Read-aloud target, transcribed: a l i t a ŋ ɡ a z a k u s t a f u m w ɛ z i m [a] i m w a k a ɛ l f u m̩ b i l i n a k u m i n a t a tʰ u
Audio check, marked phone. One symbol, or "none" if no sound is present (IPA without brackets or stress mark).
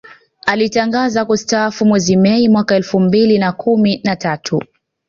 ɛ